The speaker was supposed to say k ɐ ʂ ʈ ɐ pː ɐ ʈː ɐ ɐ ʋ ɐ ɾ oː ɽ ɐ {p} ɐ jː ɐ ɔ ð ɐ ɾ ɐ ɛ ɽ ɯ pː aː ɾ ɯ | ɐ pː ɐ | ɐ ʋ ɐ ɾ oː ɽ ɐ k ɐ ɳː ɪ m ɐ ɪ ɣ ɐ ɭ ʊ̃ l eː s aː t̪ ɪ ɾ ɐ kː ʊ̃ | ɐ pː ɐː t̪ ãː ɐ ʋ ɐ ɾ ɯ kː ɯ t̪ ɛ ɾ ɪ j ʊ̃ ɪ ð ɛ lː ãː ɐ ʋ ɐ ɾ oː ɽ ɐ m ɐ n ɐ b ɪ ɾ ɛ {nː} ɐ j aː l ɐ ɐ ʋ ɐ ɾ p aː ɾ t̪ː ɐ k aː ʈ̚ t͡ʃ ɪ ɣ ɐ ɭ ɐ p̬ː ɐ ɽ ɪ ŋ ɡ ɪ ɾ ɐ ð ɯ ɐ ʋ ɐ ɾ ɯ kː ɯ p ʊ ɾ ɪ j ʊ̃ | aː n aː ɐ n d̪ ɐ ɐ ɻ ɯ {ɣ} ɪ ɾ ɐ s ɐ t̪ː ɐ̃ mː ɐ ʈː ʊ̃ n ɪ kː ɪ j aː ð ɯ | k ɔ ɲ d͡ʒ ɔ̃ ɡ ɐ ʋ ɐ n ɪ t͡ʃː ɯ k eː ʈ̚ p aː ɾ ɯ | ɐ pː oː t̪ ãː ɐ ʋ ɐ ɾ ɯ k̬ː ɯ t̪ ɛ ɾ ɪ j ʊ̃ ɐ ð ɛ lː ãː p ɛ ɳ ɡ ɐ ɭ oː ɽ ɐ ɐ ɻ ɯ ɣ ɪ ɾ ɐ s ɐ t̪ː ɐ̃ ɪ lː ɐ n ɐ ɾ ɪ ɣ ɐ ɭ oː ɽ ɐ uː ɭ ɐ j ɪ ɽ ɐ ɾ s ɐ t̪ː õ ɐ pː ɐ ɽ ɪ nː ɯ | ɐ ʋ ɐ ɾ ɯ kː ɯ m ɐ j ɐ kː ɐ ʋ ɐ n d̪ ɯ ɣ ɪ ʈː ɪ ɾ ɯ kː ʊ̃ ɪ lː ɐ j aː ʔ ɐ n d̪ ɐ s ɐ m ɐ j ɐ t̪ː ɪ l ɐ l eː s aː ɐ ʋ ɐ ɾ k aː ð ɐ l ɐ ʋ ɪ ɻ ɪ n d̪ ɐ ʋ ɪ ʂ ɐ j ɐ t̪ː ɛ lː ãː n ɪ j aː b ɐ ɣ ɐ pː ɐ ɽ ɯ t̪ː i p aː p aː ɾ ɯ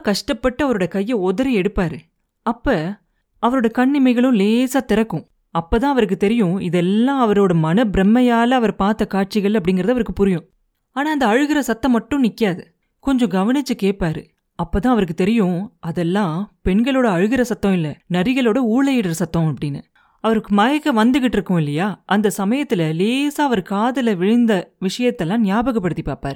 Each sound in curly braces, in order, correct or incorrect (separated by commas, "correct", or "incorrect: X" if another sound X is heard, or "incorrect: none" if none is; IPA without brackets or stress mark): incorrect: k, incorrect: mː, correct